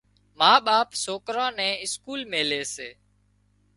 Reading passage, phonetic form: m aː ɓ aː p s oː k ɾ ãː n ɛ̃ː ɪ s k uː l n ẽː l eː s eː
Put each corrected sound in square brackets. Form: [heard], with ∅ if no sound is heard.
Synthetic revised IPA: m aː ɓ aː p s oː k ɾ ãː n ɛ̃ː ɪ s k uː l [m] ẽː l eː s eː